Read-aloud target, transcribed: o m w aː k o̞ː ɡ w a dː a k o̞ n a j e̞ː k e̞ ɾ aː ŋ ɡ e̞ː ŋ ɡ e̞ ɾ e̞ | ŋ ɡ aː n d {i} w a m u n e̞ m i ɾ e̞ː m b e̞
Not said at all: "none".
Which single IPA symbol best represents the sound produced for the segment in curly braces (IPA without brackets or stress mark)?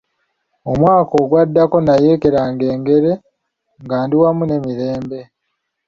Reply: i